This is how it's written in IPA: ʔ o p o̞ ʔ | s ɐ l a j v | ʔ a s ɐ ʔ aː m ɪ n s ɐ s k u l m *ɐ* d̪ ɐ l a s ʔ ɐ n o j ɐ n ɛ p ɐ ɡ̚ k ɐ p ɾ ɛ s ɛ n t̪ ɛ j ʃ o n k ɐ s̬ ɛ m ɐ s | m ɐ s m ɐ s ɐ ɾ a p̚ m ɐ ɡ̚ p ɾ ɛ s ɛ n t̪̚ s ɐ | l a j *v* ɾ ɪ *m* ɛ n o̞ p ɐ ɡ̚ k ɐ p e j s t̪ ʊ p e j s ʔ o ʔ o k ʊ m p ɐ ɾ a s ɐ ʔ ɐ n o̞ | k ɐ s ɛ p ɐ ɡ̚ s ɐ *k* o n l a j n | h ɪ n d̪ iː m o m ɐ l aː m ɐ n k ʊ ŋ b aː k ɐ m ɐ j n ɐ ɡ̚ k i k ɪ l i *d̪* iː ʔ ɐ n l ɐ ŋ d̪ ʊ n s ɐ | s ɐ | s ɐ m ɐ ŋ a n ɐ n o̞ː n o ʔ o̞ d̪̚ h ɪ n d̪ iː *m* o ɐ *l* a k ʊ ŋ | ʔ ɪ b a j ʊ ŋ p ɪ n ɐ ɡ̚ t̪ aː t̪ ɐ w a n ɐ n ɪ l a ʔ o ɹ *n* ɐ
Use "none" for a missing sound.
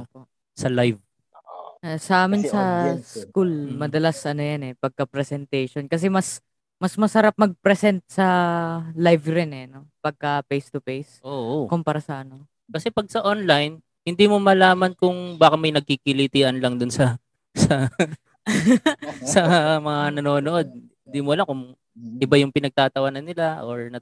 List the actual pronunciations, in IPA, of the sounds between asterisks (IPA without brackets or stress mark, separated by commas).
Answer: ɐ, v, n, ʔ, t̪, m, l, n